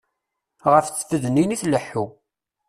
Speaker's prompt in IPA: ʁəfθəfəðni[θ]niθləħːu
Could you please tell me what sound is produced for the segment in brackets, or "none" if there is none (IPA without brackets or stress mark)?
none